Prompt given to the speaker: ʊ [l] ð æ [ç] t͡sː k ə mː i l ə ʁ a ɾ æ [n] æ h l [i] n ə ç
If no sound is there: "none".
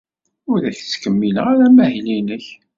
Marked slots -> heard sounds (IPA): ɾ, ç, m, i

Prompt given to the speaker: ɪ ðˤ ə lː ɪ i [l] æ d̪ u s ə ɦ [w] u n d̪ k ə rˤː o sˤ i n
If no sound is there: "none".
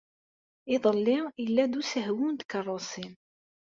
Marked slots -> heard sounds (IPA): lː, w

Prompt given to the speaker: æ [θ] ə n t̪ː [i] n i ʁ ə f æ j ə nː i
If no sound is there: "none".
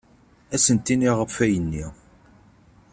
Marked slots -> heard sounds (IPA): s, i

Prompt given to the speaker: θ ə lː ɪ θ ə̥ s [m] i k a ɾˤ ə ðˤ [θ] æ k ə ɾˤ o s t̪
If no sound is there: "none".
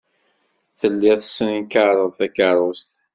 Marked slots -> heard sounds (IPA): n, θ

